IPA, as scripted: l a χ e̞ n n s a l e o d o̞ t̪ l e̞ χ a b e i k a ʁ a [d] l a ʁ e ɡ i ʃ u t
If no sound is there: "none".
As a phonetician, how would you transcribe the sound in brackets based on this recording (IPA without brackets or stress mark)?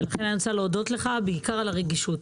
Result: none